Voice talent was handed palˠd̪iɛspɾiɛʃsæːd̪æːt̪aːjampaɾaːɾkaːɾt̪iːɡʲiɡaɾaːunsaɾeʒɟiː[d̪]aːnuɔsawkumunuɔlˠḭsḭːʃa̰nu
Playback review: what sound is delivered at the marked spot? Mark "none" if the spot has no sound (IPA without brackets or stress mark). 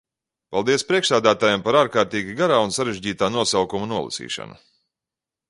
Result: t̪